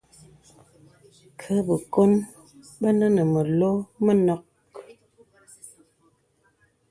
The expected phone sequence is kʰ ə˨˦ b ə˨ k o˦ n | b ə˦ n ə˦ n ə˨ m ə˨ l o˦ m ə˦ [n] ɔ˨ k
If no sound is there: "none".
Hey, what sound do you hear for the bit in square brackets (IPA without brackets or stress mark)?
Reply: n